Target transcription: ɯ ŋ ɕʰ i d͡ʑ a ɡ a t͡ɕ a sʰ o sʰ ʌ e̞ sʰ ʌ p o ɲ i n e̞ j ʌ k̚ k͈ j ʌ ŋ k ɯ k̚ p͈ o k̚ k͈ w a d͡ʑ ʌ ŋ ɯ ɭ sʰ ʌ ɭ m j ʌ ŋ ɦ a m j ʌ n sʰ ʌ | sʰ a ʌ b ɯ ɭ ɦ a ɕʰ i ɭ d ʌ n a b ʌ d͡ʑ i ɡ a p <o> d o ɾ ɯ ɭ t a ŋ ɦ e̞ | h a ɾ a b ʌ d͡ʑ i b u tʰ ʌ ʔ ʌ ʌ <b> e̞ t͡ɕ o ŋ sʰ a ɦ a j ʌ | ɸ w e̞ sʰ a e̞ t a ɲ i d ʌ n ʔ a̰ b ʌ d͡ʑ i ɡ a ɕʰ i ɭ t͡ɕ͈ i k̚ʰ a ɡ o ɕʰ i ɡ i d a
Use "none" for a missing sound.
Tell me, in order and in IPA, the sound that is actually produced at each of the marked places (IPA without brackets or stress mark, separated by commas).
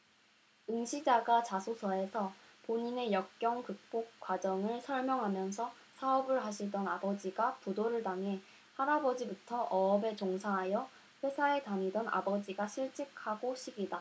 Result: u, b